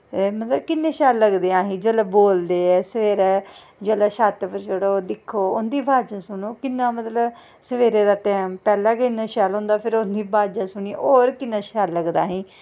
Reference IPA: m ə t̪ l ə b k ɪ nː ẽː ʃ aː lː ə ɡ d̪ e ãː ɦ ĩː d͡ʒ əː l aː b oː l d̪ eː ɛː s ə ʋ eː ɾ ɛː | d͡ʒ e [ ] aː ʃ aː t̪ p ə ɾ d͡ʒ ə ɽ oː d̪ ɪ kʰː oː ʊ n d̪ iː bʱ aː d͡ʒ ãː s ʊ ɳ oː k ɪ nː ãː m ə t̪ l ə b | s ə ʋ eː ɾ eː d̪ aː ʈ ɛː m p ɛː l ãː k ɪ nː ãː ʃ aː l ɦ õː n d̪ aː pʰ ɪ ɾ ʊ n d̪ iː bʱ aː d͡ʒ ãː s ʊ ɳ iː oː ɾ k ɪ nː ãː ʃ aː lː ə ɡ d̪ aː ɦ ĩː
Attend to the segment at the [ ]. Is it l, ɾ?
l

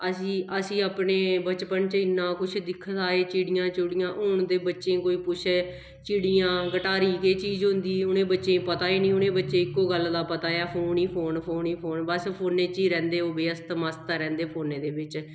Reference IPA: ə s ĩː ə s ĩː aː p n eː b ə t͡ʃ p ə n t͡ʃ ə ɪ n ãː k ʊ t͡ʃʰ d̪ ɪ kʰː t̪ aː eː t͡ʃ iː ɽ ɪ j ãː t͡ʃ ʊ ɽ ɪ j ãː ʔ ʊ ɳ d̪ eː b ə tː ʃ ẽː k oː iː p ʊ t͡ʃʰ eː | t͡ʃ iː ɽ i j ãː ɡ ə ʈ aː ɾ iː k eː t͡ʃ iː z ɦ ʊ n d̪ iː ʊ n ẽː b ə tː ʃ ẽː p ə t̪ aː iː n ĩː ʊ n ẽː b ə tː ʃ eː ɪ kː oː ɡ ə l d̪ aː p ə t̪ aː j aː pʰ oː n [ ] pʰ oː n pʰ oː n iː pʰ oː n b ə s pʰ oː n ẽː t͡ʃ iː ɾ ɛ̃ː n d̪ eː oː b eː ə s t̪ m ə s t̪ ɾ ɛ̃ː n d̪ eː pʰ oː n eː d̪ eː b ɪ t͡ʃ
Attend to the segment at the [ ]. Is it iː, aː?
iː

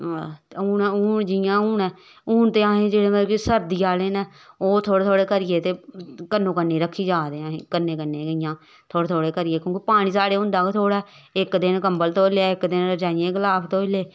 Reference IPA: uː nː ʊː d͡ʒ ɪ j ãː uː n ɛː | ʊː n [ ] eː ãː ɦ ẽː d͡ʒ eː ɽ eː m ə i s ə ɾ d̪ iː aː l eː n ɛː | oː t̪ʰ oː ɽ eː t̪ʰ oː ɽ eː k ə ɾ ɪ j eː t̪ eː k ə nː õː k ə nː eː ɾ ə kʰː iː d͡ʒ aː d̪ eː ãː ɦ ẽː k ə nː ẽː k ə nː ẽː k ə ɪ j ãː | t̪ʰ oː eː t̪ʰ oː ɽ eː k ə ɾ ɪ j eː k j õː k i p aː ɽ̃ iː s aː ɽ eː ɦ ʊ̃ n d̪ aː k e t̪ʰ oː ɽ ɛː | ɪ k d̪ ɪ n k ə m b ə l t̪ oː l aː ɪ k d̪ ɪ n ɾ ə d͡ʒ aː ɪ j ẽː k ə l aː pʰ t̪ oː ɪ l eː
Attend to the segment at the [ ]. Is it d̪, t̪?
t̪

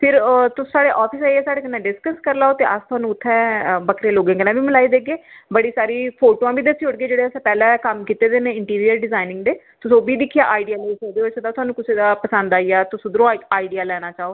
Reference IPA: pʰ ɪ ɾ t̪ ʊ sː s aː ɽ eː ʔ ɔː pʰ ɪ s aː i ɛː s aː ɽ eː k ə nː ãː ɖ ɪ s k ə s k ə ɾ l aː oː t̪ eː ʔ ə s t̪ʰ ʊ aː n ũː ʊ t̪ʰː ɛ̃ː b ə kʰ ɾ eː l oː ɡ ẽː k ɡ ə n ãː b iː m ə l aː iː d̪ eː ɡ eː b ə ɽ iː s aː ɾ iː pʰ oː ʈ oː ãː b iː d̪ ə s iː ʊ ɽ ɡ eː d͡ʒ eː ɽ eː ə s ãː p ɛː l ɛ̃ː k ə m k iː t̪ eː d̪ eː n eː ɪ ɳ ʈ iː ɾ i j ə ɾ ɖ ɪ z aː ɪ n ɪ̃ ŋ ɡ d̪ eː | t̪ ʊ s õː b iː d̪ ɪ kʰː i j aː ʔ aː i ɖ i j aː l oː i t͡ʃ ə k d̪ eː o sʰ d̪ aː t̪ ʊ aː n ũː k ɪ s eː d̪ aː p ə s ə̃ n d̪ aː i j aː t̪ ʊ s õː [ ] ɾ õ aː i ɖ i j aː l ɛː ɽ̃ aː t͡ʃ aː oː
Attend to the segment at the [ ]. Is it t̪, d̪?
d̪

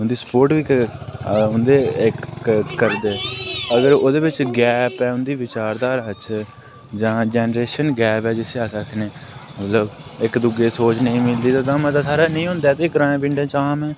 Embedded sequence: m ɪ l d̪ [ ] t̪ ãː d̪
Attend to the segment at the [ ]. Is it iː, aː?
iː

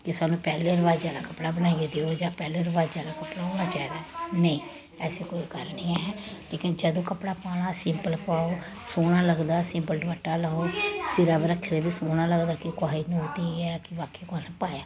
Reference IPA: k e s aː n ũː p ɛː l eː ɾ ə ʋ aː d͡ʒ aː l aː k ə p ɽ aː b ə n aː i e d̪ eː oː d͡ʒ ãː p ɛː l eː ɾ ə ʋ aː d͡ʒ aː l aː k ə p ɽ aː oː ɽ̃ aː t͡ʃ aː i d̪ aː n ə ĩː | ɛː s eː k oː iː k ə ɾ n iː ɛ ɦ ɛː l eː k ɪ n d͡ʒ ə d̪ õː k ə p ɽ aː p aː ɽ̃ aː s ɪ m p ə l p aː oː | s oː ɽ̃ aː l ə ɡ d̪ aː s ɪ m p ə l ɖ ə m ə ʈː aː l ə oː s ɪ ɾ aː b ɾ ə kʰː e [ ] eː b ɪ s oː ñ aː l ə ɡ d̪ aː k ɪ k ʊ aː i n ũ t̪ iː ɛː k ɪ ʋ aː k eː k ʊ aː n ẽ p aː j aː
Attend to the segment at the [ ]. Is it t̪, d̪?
d̪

